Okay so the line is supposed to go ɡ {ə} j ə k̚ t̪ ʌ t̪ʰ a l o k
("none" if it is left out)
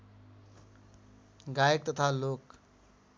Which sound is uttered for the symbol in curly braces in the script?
a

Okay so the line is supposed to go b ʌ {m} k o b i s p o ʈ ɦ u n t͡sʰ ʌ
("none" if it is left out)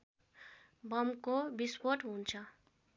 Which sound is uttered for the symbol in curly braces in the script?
m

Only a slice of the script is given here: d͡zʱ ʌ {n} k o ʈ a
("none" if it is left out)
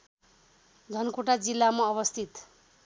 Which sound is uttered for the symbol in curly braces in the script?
n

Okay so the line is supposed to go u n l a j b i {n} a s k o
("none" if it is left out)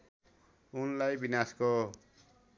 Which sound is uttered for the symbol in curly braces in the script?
n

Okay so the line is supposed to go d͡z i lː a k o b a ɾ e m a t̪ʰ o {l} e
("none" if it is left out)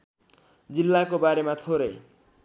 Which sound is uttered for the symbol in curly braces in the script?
ɾ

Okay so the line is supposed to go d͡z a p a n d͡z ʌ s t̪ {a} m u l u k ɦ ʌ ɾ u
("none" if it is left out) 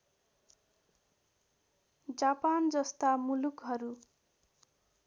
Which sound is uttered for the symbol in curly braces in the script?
a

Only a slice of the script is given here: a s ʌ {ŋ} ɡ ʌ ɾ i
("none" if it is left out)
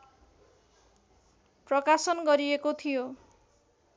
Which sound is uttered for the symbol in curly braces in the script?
n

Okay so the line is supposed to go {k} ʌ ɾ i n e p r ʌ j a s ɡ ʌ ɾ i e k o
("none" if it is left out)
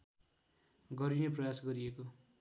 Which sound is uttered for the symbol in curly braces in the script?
ɡ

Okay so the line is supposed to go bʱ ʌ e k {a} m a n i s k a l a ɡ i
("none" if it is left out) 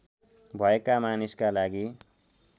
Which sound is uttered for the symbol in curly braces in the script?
a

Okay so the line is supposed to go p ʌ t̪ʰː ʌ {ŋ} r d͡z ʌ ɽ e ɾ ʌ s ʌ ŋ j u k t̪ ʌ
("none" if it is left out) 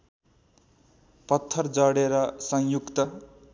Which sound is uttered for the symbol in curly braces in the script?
none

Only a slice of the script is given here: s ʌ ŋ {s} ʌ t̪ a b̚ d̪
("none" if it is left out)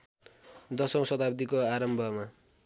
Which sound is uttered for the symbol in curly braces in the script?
s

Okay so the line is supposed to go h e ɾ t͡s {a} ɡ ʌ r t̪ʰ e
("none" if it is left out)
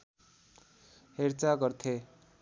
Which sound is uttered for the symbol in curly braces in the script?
a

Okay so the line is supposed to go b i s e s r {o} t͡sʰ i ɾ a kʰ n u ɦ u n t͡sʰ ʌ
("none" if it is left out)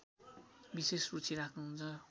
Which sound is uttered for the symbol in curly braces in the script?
u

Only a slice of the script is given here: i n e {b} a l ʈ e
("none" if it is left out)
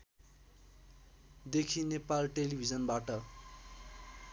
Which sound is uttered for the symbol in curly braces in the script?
p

